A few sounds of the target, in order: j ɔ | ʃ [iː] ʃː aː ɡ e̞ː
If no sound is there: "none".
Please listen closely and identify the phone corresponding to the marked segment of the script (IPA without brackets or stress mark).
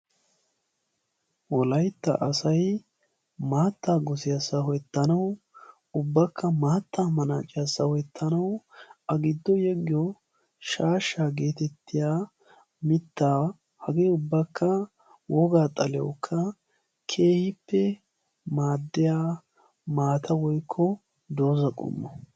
aː